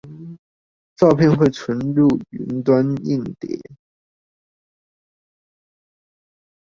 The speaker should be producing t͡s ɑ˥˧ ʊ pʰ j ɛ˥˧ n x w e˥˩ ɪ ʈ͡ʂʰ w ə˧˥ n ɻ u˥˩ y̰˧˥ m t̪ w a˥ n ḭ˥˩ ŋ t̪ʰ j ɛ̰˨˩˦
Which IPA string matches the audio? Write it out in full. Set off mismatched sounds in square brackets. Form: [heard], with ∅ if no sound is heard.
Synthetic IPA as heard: t͡s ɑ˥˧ ʊ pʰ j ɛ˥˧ n x w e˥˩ ɪ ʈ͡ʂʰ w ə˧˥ n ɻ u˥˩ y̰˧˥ [n] t̪ w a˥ n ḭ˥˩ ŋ [t̪] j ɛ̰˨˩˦